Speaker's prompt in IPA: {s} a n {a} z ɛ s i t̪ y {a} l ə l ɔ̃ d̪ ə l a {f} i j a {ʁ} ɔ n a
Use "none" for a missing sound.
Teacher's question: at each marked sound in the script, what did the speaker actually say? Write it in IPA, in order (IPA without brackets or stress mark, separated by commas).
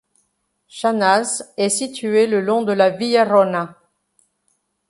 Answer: ʃ, a, e, v, ʁ